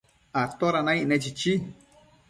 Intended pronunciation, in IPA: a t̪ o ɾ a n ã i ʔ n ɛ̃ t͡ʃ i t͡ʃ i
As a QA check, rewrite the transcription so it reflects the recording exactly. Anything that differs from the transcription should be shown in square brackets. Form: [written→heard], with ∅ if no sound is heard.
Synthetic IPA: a t̪ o ɾ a n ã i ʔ n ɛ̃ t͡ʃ i t͡ʃ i